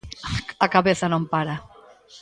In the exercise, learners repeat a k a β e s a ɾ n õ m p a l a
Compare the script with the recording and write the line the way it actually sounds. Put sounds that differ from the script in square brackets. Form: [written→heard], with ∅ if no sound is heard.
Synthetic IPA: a k a β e [s→θ] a [ɾ→∅] n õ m p a [l→ɾ] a